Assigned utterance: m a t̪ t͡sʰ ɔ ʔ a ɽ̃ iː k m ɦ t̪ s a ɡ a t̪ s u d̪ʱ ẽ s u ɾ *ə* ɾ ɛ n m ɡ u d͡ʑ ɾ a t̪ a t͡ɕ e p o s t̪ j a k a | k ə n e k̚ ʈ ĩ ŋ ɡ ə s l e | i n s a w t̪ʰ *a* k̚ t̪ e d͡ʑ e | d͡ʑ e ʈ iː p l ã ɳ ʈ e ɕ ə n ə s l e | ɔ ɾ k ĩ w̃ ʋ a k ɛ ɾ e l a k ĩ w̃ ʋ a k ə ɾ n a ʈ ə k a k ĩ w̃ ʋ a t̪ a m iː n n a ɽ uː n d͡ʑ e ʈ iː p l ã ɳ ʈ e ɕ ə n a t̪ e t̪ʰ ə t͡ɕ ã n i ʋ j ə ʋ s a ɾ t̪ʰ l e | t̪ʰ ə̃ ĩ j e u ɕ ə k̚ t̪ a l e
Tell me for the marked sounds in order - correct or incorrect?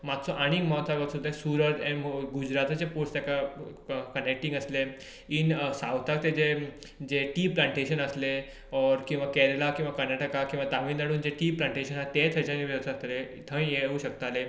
correct, correct

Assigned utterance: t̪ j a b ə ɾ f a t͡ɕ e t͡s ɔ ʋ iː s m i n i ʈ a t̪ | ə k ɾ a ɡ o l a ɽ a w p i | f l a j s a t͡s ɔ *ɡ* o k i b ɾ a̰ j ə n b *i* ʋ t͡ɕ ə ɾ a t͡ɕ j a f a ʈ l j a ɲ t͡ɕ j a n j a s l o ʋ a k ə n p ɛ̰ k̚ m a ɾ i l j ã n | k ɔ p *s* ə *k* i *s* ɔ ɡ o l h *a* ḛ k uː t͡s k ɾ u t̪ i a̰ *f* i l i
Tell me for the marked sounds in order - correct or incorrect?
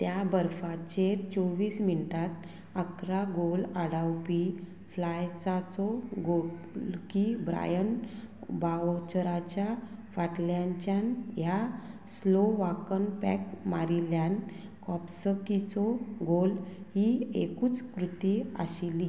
correct, incorrect: a, correct, correct, incorrect: t͡s, incorrect: i, incorrect: ɕ

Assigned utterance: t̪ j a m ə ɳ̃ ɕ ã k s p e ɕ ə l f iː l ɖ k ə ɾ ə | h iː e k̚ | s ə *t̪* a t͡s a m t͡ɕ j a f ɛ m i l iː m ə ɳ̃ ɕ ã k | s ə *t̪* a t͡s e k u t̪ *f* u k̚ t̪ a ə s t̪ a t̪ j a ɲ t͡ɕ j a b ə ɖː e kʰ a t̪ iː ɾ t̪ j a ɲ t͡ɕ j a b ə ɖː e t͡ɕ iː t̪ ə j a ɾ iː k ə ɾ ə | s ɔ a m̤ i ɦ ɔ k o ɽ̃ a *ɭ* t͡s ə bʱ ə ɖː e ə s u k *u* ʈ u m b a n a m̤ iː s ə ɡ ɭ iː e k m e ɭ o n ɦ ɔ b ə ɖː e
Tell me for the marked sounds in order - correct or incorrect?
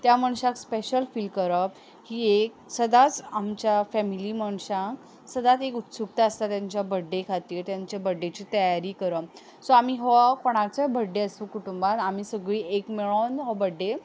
incorrect: d̪, incorrect: d̪, incorrect: s, incorrect: ɾ, correct

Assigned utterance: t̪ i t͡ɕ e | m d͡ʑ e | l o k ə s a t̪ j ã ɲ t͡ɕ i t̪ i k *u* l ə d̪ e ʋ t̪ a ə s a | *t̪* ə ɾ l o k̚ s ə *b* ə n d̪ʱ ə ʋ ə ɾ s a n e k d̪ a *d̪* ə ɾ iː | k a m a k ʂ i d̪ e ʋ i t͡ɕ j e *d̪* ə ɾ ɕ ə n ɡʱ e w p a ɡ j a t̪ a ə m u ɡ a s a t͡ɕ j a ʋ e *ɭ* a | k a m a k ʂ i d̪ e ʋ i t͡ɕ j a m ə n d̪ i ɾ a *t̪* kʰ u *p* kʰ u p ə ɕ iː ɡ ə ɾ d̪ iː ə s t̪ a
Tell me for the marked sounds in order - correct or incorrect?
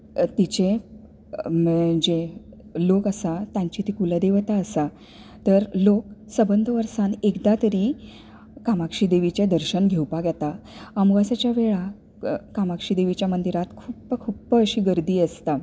correct, correct, correct, incorrect: t̪, correct, correct, correct, correct

